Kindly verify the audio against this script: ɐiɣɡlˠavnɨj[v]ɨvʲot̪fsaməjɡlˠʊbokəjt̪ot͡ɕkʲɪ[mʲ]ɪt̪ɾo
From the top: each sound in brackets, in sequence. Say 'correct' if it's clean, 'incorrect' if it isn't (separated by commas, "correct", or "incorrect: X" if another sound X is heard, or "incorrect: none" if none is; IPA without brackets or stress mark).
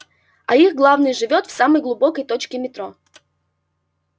incorrect: ʐ, correct